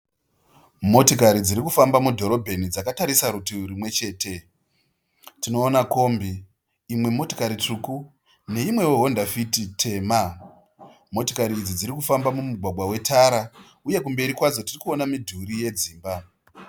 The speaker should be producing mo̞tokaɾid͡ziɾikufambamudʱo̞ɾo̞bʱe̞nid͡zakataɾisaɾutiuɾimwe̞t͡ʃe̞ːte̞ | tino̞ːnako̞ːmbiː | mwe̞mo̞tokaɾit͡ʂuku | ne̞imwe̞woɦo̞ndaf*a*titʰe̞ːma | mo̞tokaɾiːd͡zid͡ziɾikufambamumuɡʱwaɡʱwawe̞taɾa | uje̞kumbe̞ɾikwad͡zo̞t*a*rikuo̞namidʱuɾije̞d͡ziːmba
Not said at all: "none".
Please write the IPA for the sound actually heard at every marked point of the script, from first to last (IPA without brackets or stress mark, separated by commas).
i, i